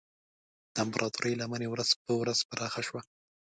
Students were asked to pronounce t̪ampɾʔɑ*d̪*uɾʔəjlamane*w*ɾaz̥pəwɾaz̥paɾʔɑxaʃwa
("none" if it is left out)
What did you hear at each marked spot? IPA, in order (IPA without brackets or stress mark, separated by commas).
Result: t̪, w